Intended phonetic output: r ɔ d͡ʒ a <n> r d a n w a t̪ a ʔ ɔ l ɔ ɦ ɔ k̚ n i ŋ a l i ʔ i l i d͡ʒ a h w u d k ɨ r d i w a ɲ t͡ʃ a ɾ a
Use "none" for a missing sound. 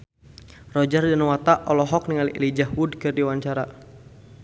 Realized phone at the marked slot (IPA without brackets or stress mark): none